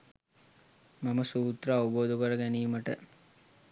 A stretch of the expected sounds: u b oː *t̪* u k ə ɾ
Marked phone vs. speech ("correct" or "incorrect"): incorrect